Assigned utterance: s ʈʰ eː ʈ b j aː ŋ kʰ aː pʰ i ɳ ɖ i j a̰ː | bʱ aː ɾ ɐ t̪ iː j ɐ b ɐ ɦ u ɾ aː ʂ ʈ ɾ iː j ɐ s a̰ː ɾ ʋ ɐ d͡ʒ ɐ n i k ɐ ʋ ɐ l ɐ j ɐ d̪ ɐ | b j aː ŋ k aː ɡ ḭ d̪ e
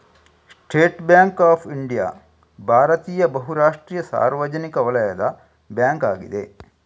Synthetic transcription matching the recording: s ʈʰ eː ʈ b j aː ŋ k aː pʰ i ɳ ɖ i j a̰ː | bʱ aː ɾ ɐ t̪ iː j ɐ b ɐ ɦ u ɾ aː ʂ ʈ ɾ iː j ɐ s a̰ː ɾ ʋ ɐ d͡ʒ ɐ n i k ɐ ʋ ɐ l ɐ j ɐ d̪ ɐ | b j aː ŋ k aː ɡ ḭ d̪ e